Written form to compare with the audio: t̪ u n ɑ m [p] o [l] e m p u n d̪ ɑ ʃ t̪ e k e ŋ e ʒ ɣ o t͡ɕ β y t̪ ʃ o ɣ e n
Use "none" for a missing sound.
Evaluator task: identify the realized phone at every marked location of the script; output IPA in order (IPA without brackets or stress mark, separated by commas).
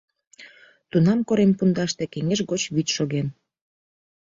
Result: k, ɾ